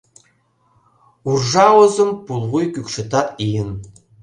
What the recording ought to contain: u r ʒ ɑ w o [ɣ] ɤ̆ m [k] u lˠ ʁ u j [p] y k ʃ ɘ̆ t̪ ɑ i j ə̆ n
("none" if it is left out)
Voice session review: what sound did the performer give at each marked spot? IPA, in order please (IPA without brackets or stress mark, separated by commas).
z, p, k